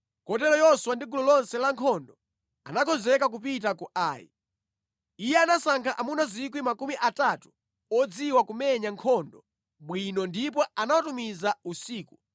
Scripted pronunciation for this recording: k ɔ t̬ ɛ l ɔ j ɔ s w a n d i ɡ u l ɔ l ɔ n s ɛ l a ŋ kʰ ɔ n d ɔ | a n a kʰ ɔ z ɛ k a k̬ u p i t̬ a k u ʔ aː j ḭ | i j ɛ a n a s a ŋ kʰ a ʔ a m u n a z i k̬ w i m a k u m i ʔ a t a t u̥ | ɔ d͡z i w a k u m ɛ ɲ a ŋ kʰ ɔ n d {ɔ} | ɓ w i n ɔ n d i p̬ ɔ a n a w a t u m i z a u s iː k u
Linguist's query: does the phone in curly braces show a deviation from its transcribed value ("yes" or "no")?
no